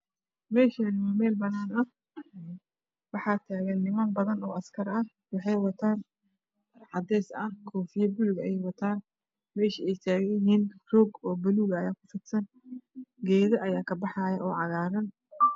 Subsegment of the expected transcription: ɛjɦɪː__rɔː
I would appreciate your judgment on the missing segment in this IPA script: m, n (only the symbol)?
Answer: n